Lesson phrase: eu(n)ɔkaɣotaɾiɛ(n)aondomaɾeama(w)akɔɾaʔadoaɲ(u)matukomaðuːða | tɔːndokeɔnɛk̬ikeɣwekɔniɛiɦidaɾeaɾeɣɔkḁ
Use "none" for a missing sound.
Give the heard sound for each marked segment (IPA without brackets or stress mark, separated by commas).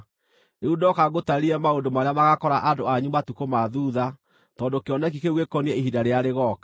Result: d, m, ɣ, u